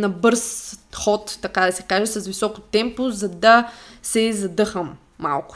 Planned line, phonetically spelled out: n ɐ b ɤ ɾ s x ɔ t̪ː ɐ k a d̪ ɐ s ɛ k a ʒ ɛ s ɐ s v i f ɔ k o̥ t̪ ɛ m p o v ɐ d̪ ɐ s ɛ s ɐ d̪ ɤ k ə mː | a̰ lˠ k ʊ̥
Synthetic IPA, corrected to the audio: n ɐ b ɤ ɾ s x ɔ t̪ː ɐ k a d̪ ɐ s ɛ k a ʒ ɛ s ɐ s v i s ɔ k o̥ t̪ ɛ m p o z ɐ d̪ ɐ s ɛ z ɐ d̪ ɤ x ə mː | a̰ lˠ k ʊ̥